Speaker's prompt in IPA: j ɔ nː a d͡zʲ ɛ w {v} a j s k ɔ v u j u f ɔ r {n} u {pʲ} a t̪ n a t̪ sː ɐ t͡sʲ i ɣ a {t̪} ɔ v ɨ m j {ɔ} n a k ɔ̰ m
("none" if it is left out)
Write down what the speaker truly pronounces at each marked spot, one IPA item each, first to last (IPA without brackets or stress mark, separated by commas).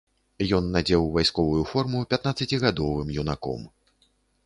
v, m, pʲ, d̪, u